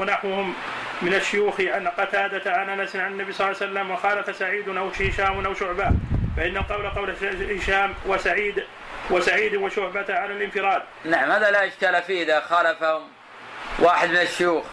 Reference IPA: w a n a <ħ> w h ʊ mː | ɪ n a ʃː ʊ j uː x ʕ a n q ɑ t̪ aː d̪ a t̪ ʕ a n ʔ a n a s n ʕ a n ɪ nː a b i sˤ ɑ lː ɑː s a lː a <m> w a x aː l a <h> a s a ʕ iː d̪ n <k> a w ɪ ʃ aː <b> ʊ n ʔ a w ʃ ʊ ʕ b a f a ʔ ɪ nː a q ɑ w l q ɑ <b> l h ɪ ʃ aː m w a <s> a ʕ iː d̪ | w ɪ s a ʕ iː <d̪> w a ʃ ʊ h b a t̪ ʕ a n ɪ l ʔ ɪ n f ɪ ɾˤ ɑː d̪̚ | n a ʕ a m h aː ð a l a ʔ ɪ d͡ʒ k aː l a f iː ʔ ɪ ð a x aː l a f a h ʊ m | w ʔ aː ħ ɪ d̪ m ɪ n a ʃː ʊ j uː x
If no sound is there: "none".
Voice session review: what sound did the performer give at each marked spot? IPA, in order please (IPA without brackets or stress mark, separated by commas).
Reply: ħ, m, f, ʔ, m, w, s, d̪